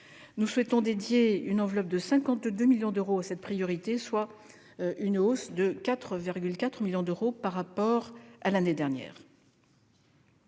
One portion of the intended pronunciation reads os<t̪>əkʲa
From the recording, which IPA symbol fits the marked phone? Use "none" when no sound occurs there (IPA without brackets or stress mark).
d̪